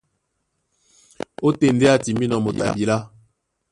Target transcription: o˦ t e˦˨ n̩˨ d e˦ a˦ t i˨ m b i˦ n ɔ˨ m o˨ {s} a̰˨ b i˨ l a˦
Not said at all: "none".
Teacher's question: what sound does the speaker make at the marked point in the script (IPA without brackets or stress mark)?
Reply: t